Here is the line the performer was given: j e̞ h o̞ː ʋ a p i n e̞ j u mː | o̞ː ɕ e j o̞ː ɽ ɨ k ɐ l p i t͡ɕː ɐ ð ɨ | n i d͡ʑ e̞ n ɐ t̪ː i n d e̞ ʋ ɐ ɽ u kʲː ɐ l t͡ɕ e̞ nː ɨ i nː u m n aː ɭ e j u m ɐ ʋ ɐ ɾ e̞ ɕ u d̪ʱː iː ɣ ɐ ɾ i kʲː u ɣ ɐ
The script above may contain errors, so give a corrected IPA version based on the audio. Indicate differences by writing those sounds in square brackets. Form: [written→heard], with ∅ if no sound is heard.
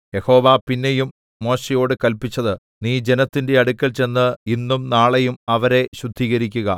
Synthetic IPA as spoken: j e̞ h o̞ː ʋ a p i [n→nː] e̞ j u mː | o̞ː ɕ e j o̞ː ɽ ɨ k ɐ l p i t͡ɕː ɐ ð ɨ | n [i→iː] d͡ʑ e̞ n ɐ t̪ː i n d e̞ [ʋ→∅] ɐ ɽ u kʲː ɐ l t͡ɕ e̞ nː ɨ i nː u m n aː ɭ e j u m ɐ ʋ ɐ ɾ e̞ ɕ u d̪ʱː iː ɣ ɐ ɾ i kʲː u ɣ ɐ